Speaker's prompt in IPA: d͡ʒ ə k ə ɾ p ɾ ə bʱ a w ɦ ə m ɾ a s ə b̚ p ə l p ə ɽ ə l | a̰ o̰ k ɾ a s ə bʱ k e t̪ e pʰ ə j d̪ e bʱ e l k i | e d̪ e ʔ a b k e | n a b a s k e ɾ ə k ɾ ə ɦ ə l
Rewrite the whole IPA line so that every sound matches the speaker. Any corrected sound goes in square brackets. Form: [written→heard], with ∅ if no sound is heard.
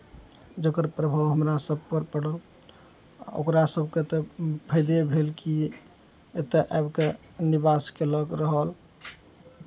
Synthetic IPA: d͡ʒ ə k ə ɾ p ɾ ə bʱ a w ɦ ə m ɾ a s ə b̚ p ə [l→ɾ] p ə ɽ ə l | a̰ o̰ k ɾ a s ə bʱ k e t̪ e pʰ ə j d̪ e bʱ e l k i | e [d̪→t̪] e ʔ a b k e | n [a→i] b a s k e [ɾ→l] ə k ɾ ə ɦ ə l